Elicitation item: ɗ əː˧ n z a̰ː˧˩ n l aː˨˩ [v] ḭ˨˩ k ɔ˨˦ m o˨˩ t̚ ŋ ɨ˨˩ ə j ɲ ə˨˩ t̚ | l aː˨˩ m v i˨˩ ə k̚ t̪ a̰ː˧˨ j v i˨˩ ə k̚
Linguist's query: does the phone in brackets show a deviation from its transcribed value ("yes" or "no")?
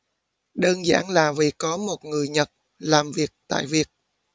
no